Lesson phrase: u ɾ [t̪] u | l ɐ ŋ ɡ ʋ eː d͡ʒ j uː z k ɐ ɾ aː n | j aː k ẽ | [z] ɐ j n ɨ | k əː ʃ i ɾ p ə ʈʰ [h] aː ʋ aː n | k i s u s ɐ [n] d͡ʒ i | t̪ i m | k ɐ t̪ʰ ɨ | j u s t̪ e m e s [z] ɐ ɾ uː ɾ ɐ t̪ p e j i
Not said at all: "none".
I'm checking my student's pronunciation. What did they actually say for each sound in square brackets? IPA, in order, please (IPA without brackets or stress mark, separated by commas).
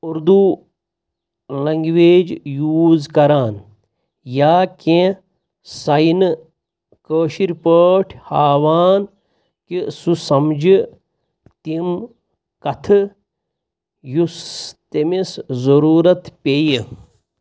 d̪, s, h, m, z